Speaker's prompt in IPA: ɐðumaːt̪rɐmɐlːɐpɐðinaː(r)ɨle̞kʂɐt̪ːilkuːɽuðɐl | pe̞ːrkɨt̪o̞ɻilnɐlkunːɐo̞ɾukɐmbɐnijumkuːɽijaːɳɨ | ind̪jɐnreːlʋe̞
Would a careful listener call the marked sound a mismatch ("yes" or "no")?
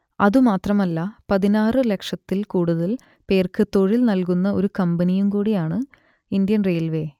no